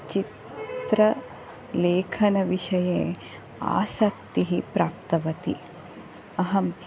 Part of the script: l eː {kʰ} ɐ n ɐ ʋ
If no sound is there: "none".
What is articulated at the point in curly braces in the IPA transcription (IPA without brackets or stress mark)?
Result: kʰ